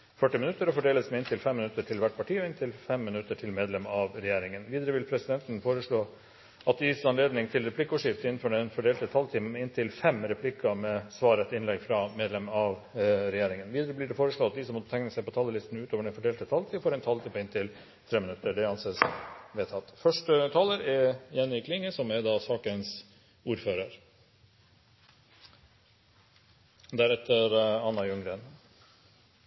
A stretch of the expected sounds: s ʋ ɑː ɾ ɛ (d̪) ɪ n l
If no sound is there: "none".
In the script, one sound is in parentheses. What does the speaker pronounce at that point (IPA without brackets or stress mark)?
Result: t̪